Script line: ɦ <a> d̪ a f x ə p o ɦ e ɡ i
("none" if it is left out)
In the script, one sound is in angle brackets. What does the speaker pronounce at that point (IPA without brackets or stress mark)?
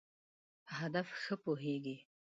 a